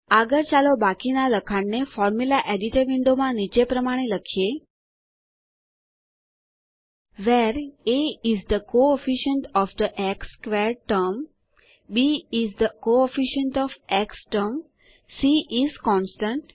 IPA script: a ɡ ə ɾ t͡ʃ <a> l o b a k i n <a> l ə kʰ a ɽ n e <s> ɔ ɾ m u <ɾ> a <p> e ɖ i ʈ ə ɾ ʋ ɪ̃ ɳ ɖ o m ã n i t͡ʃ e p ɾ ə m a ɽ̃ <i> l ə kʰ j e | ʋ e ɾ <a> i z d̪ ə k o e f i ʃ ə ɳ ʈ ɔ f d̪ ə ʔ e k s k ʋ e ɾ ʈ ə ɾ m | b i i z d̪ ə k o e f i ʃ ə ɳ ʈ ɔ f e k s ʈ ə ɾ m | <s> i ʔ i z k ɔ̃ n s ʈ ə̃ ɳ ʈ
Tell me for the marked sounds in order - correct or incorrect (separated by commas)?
correct, correct, incorrect, incorrect, incorrect, incorrect, incorrect, correct